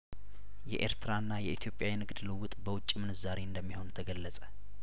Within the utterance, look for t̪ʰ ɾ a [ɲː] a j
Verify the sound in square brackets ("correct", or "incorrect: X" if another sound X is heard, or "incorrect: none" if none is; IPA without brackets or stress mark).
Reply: incorrect: nː